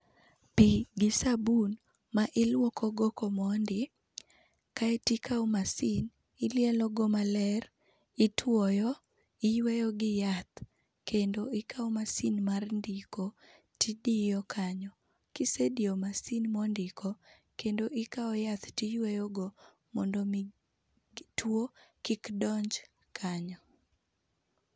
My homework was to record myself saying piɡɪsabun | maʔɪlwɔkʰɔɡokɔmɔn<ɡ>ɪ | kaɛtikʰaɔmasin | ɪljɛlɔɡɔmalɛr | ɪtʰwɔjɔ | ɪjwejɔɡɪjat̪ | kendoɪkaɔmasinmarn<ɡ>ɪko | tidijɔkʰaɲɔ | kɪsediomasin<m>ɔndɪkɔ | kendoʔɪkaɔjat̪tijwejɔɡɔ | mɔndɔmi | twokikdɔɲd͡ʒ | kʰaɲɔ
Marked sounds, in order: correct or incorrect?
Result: incorrect: d, incorrect: d, correct

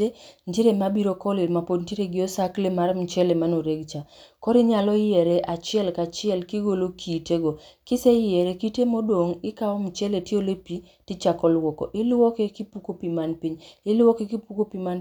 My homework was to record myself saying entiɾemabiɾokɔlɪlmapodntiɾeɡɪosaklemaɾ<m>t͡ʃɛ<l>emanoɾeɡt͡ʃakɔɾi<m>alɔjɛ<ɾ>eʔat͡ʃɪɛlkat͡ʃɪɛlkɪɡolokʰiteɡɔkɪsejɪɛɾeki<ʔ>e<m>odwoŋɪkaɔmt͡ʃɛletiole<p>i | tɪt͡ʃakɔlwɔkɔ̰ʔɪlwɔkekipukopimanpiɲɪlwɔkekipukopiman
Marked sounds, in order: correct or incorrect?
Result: correct, correct, incorrect: ɲ, correct, incorrect: t, correct, correct

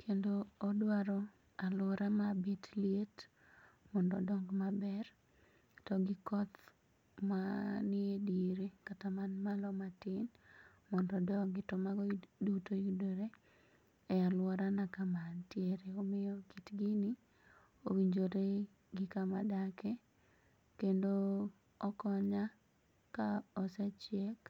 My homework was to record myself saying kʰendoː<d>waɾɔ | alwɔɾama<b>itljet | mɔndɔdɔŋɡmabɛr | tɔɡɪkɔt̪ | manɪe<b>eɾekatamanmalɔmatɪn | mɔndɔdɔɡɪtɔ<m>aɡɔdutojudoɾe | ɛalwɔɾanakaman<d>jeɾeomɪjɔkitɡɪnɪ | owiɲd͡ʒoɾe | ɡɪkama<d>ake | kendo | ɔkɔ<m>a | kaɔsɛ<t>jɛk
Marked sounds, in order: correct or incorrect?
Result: correct, correct, incorrect: d, correct, incorrect: t, correct, incorrect: ɲ, incorrect: t͡ʃ

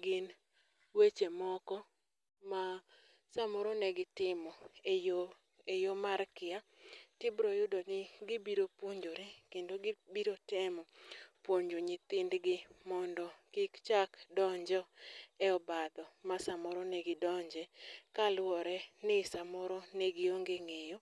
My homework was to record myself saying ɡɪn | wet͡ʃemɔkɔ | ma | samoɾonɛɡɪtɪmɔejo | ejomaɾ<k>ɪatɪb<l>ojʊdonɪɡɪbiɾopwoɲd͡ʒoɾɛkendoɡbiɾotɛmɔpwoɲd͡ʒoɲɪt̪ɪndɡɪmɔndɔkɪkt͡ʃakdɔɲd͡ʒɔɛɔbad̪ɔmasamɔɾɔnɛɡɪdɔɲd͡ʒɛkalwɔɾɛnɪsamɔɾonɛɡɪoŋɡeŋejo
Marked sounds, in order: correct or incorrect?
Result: correct, incorrect: ɾ

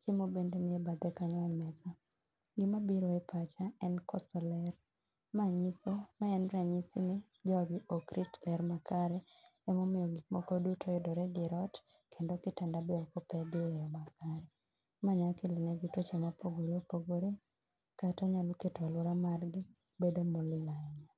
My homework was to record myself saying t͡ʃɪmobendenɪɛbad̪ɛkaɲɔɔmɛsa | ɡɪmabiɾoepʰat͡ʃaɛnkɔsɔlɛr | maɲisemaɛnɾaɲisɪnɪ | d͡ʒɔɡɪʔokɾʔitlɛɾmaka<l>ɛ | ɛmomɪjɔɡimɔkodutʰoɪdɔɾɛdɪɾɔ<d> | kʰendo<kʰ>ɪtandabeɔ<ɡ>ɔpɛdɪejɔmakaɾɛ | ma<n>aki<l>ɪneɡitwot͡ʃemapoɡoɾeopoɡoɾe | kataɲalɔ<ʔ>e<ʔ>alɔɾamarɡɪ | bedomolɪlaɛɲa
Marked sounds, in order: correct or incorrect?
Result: incorrect: ɾ, incorrect: t, incorrect: k, incorrect: k, incorrect: ɲ, correct, incorrect: k, incorrect: t

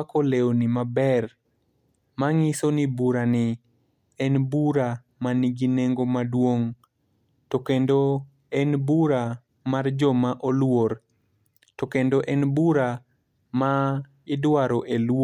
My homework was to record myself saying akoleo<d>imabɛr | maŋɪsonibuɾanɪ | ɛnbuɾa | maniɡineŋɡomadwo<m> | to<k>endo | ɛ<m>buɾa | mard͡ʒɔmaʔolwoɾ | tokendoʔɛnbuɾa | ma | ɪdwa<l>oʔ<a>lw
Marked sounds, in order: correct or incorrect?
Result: incorrect: n, incorrect: ŋ, correct, incorrect: n, incorrect: ɾ, incorrect: e

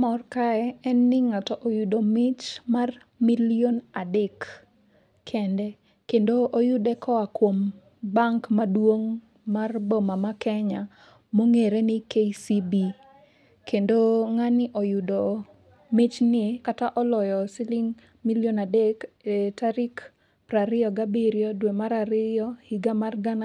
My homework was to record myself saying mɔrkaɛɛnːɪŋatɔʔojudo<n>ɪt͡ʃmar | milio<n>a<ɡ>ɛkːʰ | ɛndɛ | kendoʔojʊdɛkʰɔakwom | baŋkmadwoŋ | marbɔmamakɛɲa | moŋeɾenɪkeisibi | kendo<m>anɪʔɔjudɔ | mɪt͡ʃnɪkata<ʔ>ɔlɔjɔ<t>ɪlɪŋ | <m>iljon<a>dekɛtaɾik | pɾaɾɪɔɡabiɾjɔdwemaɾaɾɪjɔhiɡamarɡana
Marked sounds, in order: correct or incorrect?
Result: incorrect: m, correct, incorrect: d, incorrect: ŋ, correct, incorrect: s, correct, correct

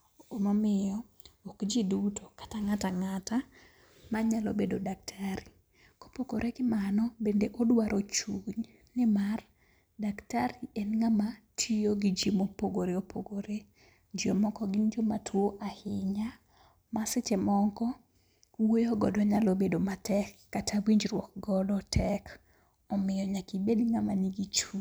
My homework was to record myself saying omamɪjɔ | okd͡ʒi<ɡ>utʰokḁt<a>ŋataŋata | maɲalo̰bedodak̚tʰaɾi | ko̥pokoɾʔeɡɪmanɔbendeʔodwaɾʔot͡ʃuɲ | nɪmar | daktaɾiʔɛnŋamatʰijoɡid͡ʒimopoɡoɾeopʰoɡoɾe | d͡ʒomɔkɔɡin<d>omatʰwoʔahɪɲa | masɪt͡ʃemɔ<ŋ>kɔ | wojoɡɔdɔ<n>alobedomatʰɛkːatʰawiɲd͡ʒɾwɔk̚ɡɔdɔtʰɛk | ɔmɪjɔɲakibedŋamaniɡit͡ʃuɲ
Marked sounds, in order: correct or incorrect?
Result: incorrect: d, correct, incorrect: d͡ʒ, correct, incorrect: ɲ

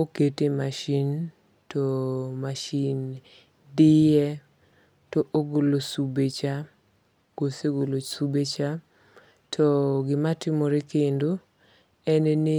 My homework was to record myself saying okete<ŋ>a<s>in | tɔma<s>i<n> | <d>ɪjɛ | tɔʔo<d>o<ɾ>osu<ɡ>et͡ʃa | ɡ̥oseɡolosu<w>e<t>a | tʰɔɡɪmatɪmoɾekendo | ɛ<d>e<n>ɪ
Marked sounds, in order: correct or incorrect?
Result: incorrect: m, incorrect: ʃ, incorrect: ʃ, correct, correct, incorrect: ɡ, incorrect: l, incorrect: b, incorrect: b, incorrect: t͡ʃ, incorrect: n, correct

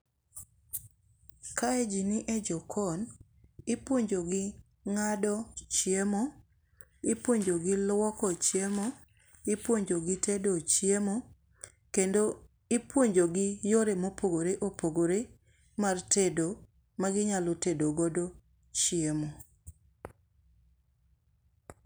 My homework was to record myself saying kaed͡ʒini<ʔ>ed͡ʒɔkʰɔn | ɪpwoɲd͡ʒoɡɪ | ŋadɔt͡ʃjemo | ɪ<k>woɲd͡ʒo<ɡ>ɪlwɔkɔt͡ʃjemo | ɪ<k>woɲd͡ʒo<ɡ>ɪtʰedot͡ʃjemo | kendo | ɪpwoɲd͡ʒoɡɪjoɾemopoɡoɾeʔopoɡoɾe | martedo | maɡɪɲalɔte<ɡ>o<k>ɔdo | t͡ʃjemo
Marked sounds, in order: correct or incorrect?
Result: correct, incorrect: p, correct, incorrect: p, correct, incorrect: d, incorrect: ɡ

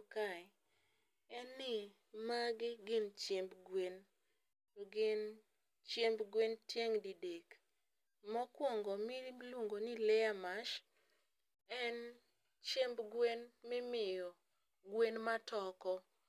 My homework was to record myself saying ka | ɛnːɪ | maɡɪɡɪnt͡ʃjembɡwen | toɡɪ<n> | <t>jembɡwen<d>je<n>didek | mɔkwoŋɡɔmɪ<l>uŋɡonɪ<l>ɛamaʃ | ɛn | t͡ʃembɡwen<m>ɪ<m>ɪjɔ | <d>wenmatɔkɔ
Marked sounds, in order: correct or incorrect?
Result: correct, incorrect: t͡ʃ, incorrect: t, incorrect: ŋ, correct, correct, correct, correct, incorrect: ɡ

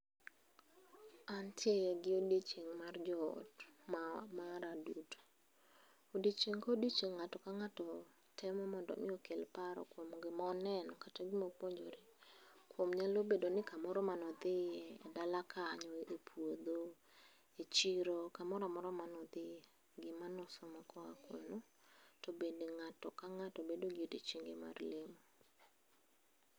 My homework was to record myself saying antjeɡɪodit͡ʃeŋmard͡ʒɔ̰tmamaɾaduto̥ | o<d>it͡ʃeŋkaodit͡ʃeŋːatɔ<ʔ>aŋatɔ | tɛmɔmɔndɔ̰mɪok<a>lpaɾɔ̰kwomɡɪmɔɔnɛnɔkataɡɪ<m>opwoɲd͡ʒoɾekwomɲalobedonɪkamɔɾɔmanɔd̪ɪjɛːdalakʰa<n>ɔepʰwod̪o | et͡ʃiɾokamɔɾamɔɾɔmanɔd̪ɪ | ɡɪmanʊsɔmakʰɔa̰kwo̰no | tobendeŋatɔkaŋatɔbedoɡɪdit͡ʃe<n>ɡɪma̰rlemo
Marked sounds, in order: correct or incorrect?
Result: correct, incorrect: k, incorrect: e, correct, incorrect: ɲ, incorrect: ŋ

